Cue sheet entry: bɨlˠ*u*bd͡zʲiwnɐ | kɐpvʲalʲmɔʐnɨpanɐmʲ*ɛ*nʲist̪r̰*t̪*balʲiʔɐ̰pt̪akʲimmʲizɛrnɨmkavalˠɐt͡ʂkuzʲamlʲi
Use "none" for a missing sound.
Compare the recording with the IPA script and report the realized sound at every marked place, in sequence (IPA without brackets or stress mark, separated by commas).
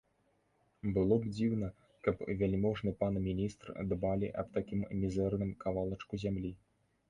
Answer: ɔ, i, d̪